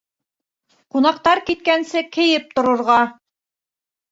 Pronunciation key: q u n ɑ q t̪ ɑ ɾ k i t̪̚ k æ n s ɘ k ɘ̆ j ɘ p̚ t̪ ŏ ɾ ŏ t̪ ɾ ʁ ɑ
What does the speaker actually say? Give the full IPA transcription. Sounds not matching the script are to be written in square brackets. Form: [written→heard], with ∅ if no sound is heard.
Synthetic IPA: q u n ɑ q t̪ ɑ ɾ k i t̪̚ k æ n s ɘ k ɘ̆ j ɘ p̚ t̪ ŏ ɾ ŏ [t̪→∅] ɾ ʁ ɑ